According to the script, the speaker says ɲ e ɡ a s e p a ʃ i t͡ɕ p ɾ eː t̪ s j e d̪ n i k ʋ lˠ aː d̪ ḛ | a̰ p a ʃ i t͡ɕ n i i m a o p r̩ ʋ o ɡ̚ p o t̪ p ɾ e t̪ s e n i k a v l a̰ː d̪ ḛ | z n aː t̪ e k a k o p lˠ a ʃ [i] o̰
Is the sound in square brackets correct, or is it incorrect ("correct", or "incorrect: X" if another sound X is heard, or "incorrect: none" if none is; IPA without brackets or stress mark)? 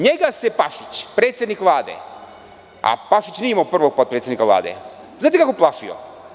correct